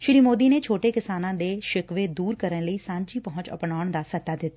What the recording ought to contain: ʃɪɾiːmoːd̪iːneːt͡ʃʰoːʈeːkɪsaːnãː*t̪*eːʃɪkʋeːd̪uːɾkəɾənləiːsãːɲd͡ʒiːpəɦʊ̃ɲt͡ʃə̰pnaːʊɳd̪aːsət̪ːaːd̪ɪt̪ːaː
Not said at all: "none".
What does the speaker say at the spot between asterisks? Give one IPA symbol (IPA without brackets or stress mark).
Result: d̪